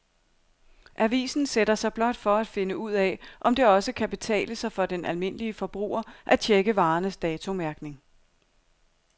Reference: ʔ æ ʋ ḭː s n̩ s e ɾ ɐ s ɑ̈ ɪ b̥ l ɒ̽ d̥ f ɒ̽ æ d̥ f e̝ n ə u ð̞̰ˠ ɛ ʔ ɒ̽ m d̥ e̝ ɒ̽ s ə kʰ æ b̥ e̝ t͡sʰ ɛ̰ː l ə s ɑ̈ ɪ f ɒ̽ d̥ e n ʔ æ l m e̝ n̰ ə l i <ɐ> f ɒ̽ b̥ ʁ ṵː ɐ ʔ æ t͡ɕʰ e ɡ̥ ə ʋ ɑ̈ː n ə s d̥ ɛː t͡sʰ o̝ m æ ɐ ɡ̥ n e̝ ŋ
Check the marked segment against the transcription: incorrect: ə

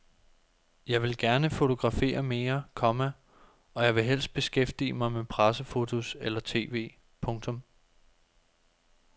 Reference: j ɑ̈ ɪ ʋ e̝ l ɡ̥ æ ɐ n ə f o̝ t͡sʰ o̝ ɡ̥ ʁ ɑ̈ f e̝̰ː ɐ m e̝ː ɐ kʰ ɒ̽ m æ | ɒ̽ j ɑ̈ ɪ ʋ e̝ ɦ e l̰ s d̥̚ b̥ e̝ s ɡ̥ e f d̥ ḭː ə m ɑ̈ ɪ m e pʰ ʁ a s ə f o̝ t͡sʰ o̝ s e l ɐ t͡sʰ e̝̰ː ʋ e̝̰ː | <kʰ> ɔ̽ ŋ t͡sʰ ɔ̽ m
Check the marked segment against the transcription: incorrect: pʰ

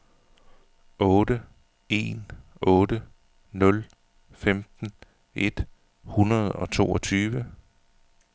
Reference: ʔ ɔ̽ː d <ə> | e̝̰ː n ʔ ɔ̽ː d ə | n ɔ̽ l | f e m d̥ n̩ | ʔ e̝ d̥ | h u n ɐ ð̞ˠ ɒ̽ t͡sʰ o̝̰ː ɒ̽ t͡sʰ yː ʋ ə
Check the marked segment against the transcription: correct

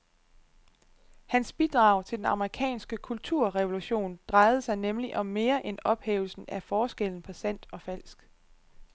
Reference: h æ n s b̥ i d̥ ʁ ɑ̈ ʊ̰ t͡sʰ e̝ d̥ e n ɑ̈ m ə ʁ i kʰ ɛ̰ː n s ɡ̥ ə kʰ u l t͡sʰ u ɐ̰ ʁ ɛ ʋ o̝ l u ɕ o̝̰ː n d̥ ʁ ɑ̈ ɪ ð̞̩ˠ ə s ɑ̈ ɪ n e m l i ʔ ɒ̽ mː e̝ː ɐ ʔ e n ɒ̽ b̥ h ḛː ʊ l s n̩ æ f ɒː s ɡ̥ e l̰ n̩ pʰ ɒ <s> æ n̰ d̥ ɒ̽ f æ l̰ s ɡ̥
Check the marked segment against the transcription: correct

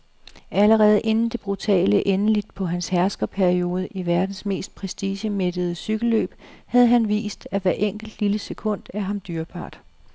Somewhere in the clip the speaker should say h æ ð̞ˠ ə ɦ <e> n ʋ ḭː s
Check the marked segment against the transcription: incorrect: æ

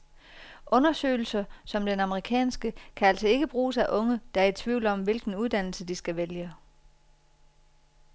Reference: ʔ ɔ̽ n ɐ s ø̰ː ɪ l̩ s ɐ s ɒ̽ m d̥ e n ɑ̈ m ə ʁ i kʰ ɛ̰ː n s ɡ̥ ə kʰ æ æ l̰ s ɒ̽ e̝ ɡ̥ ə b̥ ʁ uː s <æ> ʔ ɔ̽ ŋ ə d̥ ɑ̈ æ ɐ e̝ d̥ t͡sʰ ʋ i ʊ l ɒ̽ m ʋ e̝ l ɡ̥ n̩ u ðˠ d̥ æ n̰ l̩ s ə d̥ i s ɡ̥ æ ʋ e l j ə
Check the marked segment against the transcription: correct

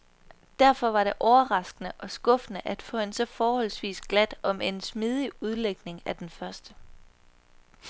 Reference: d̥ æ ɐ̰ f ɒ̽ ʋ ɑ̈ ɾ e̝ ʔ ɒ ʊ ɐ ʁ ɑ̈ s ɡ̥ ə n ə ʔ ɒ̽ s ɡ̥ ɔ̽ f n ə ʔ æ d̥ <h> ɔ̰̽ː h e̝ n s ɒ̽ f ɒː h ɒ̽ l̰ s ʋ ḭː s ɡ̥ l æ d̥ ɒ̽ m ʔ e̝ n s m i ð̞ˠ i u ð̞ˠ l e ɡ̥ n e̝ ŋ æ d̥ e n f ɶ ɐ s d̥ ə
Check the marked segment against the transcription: incorrect: f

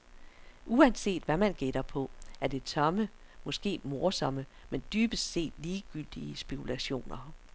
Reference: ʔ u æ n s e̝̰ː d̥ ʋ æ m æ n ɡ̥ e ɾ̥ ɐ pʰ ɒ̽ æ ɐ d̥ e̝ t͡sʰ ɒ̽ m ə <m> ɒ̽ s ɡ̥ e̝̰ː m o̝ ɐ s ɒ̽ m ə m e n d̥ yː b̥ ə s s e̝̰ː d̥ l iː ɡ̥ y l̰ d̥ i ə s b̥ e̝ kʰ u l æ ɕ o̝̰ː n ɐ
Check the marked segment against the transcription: correct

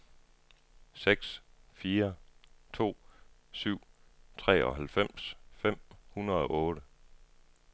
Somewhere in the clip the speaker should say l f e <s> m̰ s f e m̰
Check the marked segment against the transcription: incorrect: none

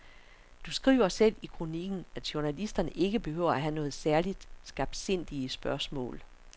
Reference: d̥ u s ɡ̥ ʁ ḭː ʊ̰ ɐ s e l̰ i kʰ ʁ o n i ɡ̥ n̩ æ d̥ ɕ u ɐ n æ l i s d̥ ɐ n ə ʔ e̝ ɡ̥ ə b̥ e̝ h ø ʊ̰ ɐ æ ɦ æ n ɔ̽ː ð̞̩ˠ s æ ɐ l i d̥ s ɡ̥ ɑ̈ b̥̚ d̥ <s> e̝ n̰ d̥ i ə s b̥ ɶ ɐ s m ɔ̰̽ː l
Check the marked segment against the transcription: correct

